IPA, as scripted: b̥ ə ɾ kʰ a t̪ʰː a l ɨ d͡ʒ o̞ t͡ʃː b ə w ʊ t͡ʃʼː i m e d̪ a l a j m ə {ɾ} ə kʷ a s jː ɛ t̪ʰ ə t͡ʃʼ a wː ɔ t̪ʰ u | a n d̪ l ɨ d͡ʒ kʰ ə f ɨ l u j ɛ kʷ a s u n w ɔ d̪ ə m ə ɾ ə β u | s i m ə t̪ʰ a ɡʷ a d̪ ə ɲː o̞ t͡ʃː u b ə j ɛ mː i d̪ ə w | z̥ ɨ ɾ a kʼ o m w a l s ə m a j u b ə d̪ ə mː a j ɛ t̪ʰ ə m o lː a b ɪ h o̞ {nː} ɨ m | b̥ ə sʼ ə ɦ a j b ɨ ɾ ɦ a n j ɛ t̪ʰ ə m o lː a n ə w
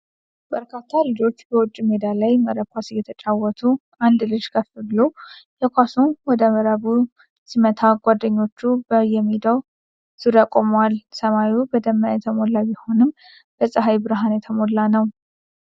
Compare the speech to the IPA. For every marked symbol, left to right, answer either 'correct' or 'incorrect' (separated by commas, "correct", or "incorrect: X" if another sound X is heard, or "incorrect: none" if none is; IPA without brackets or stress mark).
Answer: correct, incorrect: n